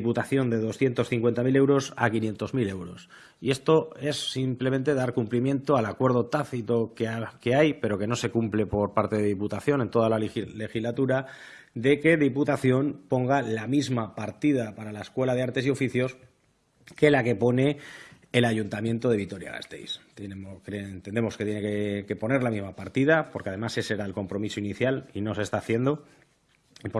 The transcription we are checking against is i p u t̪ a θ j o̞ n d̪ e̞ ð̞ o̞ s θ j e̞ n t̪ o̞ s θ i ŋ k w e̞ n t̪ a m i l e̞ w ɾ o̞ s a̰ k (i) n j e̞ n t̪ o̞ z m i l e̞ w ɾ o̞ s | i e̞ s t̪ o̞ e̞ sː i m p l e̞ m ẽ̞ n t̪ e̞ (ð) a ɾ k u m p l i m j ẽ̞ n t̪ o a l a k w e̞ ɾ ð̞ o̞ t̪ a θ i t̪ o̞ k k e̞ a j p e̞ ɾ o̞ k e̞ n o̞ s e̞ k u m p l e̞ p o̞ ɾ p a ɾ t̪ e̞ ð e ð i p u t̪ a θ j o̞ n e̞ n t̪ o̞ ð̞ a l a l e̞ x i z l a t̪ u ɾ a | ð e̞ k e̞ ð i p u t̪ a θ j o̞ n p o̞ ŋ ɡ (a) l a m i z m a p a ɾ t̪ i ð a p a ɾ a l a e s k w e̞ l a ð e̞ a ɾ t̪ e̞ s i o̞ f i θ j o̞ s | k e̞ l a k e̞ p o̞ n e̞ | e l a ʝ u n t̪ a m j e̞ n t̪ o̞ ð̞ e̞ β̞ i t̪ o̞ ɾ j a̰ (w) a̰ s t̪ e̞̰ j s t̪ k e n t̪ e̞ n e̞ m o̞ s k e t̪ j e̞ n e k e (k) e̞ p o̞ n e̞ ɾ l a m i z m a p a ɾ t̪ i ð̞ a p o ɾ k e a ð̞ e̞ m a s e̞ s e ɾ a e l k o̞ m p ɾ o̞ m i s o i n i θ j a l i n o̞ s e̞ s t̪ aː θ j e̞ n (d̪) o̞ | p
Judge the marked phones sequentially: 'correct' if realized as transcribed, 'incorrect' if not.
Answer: correct, correct, correct, incorrect: ɣ, correct, correct

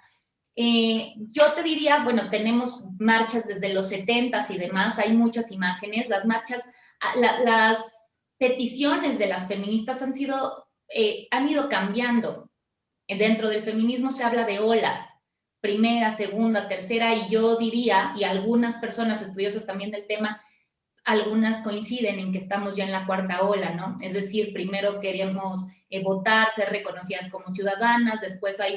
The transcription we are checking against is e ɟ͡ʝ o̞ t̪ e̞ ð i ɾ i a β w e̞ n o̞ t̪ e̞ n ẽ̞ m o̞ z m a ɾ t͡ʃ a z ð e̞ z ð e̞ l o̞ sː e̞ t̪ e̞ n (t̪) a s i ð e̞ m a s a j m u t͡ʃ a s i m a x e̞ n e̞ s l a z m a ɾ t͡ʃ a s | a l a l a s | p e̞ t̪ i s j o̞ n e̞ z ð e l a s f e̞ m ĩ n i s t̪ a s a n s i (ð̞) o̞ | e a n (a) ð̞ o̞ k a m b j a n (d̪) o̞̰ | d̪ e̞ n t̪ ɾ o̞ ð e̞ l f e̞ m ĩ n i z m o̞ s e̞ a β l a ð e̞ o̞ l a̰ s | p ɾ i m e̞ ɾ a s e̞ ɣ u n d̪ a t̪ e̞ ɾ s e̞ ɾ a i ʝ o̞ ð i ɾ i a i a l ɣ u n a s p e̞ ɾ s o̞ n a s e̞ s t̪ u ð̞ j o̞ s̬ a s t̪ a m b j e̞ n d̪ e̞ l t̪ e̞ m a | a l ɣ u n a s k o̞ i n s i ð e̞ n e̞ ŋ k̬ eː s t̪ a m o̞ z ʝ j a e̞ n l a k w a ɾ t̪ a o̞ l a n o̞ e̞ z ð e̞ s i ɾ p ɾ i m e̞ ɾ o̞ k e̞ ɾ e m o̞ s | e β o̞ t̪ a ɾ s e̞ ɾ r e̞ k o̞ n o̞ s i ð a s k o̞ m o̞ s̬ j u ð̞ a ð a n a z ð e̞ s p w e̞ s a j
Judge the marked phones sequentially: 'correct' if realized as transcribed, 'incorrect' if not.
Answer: correct, correct, incorrect: i, correct

